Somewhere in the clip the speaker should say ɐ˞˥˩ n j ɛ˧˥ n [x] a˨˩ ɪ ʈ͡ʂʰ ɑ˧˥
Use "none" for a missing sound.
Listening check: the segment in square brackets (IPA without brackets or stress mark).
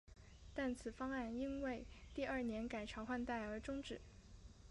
k